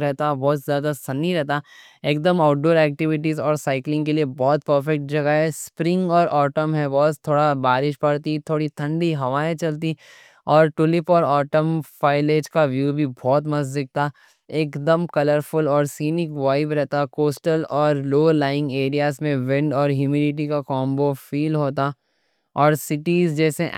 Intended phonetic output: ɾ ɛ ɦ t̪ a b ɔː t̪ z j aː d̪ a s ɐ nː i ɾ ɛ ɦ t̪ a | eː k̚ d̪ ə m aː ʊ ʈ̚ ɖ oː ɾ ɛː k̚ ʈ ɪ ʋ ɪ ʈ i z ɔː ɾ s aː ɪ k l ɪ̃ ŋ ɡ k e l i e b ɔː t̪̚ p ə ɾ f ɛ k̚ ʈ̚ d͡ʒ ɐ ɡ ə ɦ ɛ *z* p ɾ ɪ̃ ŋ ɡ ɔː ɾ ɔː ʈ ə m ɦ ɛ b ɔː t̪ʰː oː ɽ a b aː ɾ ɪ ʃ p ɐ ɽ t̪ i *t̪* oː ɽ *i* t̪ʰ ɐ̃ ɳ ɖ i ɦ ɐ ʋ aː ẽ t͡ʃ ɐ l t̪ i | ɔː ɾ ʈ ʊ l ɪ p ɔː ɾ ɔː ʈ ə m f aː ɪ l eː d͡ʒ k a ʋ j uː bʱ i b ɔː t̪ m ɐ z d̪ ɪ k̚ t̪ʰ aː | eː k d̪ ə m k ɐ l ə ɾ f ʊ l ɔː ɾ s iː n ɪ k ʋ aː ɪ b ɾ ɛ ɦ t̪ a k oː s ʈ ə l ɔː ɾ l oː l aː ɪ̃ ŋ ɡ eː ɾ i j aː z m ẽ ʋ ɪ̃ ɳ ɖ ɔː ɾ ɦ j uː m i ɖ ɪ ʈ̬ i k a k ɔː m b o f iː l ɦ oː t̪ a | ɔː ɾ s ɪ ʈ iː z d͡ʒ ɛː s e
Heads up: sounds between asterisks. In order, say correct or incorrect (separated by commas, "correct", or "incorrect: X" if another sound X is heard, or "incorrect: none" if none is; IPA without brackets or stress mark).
incorrect: s, incorrect: t̪ʰ, correct